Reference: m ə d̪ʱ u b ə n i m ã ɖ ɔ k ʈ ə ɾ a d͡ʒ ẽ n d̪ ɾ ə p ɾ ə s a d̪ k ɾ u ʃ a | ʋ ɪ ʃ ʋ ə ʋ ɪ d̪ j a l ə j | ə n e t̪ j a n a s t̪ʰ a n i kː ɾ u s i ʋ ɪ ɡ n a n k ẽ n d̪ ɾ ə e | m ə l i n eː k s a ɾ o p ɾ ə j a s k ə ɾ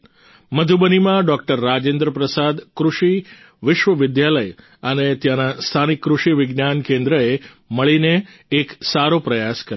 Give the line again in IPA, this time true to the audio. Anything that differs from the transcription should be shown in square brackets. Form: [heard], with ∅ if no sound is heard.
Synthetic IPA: m ə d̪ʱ u b ə n i m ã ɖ ɔ k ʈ ə [ɾː] a d͡ʒ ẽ n d̪ ɾ ə p ɾ ə s a d̪ k ɾ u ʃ [i] | ʋ ɪ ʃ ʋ ə ʋ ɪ d̪ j a l ə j | ə n e t̪ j a n a s t̪ʰ a n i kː ɾ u [ʃ] i ʋ ɪ ɡ n a n k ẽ n d̪ ɾ ə e | m ə [ɭ] i n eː k s a ɾ o p ɾ ə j a s k ə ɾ